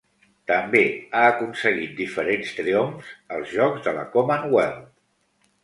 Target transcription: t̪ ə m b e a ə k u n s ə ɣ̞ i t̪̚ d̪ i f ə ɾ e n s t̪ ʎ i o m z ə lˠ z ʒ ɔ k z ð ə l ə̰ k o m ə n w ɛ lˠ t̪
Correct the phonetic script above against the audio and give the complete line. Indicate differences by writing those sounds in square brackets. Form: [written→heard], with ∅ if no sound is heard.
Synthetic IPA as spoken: t̪ ə m b e a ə k u n s ə ɣ̞ i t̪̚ d̪ i f ə ɾ e n s t̪ [ʎ→ɾ] i o m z ə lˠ z ʒ ɔ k z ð ə l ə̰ k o m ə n w ɛ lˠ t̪